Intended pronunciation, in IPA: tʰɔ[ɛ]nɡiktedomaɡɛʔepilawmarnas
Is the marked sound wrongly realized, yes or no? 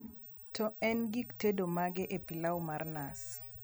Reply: no